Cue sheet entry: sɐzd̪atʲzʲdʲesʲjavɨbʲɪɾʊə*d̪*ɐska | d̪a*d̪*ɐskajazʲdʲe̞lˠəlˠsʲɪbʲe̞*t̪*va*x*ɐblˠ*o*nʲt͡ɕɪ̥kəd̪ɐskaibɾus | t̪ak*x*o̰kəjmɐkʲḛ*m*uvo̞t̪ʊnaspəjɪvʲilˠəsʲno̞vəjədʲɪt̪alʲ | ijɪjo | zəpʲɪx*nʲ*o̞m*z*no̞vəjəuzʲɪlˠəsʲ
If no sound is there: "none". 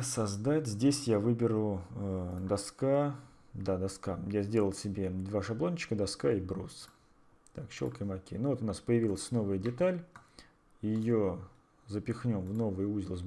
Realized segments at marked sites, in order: d̪, d̪, d̪, ʂ, o, ɕ, n, nʲ, v

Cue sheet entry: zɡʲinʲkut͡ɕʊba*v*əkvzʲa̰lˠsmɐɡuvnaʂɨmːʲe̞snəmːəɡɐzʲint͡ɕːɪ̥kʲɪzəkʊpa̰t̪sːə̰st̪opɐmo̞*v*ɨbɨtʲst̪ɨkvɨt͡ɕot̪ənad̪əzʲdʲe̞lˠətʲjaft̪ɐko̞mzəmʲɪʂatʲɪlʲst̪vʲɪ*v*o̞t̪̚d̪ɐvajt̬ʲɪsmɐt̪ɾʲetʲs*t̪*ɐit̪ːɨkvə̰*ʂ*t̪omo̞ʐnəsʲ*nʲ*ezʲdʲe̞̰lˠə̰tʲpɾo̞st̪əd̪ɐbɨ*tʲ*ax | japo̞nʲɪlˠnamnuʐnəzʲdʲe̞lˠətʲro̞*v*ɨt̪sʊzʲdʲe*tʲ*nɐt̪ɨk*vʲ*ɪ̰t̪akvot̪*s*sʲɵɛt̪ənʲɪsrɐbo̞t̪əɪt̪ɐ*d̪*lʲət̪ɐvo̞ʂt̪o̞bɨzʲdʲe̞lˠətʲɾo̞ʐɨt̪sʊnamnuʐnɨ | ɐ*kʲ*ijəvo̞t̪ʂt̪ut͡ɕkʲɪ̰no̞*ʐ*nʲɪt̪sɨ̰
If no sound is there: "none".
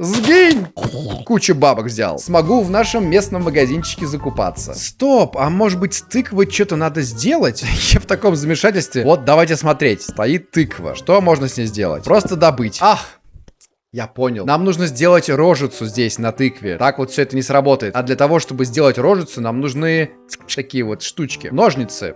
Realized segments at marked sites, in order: b, ʐ, v, t̪, ʂ, nʲ, tʲ, ʐ, sʲ, vʲ, f, d̪, kʲ, ʐ

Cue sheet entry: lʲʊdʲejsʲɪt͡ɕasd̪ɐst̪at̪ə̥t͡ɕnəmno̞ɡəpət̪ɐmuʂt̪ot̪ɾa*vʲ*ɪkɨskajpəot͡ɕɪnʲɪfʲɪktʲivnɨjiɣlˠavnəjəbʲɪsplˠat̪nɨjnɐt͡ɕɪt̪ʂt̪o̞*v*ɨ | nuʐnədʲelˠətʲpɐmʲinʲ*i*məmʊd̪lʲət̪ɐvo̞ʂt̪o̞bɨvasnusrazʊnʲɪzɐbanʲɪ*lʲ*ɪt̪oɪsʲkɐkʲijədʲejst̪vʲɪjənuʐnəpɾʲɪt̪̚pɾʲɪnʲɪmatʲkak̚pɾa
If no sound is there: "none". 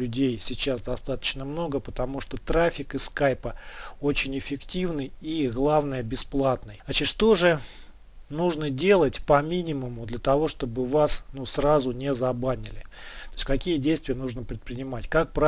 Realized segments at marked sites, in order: fʲ, ʐ, ɪ, lʲ

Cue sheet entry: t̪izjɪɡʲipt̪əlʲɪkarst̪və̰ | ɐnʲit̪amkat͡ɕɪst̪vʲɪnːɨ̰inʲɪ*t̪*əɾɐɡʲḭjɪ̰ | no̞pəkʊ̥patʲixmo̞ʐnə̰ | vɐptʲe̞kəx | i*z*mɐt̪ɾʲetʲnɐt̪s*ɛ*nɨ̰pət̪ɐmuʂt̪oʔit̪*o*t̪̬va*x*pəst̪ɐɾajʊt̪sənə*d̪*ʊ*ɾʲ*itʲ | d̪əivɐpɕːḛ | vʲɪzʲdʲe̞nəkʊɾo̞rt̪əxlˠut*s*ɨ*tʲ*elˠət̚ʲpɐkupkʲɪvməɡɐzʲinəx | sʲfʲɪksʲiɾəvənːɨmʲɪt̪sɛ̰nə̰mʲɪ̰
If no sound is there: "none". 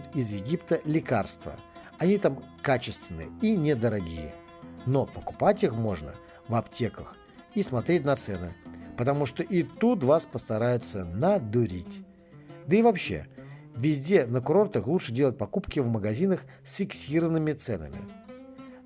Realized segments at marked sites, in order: d̪, s, ɛ, u, s, d̪, ɾʲ, ʂ, dʲ

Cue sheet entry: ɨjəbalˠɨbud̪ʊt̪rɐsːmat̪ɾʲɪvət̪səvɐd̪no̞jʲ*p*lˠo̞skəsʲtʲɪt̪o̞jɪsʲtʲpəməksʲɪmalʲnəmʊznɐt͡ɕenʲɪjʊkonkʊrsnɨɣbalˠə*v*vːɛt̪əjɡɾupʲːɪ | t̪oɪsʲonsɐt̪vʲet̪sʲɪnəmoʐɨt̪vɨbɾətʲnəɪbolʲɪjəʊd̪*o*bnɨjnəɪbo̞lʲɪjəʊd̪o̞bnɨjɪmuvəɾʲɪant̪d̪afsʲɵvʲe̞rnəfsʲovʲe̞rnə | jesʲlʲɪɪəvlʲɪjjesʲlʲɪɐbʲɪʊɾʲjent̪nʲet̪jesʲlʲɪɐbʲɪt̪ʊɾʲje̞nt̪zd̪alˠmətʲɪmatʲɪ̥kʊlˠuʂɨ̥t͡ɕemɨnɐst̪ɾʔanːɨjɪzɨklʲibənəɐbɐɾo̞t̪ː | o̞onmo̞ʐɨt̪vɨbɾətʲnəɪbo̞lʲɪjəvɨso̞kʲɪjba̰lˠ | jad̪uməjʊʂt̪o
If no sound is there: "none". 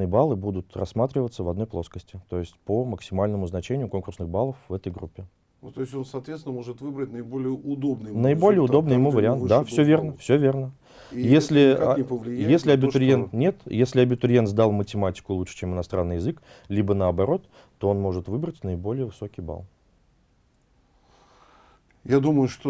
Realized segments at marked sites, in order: p, f, o

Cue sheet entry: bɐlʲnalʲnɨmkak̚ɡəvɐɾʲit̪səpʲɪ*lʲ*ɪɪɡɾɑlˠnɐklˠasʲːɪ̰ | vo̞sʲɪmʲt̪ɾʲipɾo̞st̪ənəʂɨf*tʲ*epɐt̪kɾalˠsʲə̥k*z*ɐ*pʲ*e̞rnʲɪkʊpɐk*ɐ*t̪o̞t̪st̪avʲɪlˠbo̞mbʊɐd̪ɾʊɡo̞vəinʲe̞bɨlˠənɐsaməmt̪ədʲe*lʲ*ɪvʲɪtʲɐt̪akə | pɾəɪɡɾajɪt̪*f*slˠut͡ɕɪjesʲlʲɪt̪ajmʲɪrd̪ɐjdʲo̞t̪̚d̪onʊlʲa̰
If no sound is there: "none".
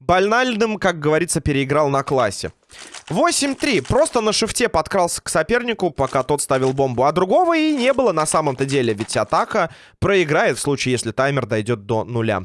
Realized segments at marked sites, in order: ɾʲ, tʲ, s, pʲ, a, lʲ, f

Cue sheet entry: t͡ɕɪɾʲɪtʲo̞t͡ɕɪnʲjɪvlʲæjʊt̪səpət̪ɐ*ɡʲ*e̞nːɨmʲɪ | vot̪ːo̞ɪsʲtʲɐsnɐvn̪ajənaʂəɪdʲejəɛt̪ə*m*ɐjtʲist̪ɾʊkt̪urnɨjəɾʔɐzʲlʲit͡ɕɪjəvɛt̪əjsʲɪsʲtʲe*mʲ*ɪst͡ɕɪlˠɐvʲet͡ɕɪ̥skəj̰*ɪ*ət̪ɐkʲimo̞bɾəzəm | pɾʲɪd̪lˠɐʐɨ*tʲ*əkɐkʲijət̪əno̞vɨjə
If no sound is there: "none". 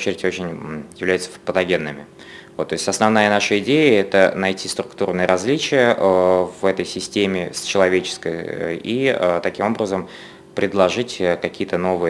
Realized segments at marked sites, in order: ɡʲ, n, mʲ, i, tʲ

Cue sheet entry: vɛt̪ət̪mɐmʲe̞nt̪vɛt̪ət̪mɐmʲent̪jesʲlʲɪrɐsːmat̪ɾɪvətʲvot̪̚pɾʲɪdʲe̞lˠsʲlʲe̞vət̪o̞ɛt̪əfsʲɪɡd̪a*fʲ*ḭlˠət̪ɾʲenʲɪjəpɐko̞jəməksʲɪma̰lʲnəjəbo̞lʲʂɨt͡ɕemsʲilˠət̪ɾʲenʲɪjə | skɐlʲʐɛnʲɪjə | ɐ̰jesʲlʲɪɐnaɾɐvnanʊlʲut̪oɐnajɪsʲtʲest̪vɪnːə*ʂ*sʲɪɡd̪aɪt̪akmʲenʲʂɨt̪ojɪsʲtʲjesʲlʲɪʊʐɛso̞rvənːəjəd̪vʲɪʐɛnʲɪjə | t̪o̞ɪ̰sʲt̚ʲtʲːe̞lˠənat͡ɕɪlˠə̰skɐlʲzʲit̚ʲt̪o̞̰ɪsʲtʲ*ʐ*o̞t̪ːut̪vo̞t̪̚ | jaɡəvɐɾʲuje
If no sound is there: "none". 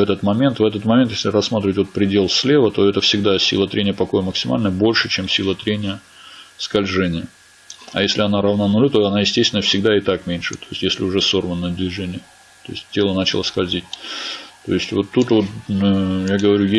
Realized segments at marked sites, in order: sʲ, f, v

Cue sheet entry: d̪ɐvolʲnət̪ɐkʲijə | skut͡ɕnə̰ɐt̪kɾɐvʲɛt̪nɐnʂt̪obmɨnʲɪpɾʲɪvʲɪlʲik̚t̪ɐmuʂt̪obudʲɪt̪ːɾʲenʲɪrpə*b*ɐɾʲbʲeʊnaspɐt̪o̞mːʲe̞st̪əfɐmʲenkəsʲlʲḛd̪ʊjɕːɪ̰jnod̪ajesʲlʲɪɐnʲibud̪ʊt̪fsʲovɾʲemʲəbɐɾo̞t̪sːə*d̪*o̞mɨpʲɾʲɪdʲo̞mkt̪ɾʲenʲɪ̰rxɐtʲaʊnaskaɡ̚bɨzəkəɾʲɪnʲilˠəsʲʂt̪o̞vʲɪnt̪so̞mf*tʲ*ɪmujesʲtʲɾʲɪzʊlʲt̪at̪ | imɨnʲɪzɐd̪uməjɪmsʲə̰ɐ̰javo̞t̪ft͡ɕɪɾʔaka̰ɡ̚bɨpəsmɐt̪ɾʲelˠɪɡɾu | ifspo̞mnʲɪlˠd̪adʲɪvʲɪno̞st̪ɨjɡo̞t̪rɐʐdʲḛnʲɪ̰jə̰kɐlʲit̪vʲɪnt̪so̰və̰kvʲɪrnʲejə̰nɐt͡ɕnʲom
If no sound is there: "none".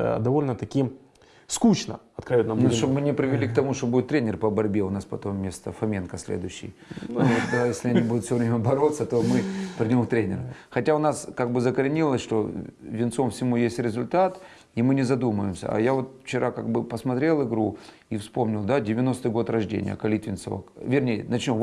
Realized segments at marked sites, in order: b, t̪, sʲ

